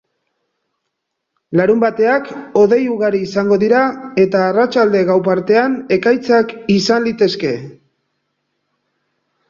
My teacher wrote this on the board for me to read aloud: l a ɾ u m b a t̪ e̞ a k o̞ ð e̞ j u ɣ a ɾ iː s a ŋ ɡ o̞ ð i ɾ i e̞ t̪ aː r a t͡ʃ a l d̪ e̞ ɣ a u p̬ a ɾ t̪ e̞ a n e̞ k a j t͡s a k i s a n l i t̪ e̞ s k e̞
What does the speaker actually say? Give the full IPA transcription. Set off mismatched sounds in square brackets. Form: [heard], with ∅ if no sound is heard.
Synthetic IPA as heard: l a ɾ u m b a t̪ e̞ a k o̞ ð e̞ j u ɣ a ɾ iː s a ŋ ɡ o̞ ð i ɾ [a] e̞ t̪ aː r a t͡ʃ a l d̪ e̞ ɣ a [w] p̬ a ɾ t̪ e̞ a n e̞ k a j t͡s a k i s a n l i t̪ e̞ s k e̞